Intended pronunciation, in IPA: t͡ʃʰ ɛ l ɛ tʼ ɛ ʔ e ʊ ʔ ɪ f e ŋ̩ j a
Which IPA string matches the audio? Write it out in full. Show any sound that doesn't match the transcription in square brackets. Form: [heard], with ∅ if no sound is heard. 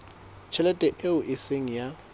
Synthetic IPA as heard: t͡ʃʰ ɛ l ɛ tʼ ɛ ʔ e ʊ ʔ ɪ [s] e ŋ̩ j a